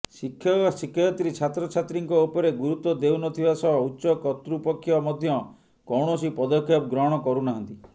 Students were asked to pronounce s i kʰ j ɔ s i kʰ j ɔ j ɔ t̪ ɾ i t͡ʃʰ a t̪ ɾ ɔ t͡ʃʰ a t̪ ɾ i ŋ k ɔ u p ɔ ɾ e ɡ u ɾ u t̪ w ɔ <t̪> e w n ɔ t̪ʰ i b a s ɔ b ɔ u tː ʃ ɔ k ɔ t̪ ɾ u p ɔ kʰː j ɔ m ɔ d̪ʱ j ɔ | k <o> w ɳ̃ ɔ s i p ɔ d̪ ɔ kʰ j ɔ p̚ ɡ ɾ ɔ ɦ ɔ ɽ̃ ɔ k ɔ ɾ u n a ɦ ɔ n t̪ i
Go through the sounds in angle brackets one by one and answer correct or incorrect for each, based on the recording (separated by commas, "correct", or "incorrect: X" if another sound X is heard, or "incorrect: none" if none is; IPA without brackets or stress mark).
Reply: incorrect: d̪, incorrect: ɔ